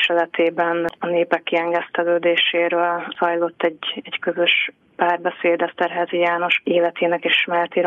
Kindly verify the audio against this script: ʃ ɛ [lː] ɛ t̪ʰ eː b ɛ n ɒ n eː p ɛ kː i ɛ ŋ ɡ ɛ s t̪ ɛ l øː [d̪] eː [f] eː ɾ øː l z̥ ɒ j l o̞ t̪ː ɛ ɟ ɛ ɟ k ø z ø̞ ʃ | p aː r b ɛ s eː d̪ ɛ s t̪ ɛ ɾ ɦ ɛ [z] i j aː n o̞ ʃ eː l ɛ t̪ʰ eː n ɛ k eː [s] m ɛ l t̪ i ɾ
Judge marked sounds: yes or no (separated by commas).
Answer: no, yes, no, yes, no